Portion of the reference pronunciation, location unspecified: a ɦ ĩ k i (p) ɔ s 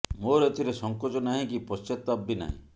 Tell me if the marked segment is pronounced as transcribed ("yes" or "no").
yes